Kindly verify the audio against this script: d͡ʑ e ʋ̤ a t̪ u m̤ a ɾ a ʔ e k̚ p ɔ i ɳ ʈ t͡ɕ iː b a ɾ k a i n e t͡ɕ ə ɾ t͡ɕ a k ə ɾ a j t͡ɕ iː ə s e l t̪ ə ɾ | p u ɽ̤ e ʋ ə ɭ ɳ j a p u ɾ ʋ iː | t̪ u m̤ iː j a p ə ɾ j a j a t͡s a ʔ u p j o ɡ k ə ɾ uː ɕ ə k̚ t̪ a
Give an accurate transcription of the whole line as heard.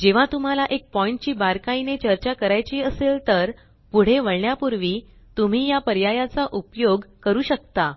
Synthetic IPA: d͡ʑ e ʋ̤ a t̪ u m̤ a l a ʔ e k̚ p ɔ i ɳ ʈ t͡ɕ iː b a ɾ k a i n e t͡ɕ ə ɾ t͡ɕ a k ə ɾ a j t͡ɕ iː ə s e l t̪ ə ɾ | p u ɽ̤ e ʋ ə ɭ ɳ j a p u ɾ ʋ iː | t̪ u m̤ iː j a p ə ɾ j a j a t͡s a ʔ u p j o ɡ k ə ɾ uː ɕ ə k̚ t̪ a